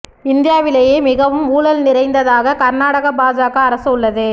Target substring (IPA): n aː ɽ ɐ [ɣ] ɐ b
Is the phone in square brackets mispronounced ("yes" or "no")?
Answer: no